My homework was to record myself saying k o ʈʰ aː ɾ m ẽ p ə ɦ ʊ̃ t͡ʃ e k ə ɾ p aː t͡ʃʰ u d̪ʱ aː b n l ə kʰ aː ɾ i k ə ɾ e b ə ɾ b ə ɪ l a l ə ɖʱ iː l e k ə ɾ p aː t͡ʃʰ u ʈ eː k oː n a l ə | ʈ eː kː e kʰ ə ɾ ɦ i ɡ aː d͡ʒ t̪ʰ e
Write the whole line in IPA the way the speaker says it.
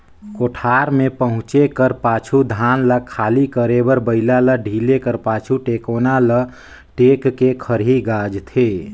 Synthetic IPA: k o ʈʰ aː ɾ m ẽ p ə ɦ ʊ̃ t͡ʃ e k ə ɾ p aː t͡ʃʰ u d̪ʱ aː n l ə kʰ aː l i k ə ɾ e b ə ɾ b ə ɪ l a l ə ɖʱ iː l e k ə ɾ p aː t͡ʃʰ u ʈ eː k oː n a l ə | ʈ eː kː e kʰ ə ɾ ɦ i ɡ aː d͡ʒ t̪ʰ e